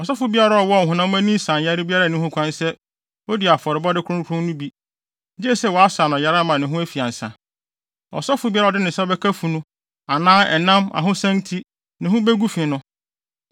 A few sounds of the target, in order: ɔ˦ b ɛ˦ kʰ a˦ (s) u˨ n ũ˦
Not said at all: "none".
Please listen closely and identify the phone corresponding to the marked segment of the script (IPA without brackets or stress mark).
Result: f